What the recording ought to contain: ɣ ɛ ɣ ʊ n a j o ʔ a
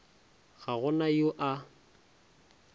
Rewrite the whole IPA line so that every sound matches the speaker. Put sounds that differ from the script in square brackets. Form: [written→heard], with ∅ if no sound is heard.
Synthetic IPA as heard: ɣ [ɛ→a] ɣ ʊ n a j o ʔ a